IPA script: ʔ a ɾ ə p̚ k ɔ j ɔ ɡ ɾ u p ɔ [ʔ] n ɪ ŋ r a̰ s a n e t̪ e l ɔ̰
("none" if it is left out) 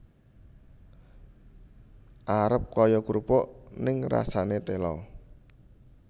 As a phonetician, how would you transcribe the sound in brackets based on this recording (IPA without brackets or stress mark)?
ʔ